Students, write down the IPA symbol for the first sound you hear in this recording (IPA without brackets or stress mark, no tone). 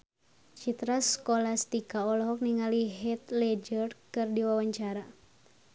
t͡ʃ